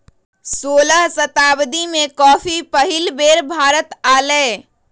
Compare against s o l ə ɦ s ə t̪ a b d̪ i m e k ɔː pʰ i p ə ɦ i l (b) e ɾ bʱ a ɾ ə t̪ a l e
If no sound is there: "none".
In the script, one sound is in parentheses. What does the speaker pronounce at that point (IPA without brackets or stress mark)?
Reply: b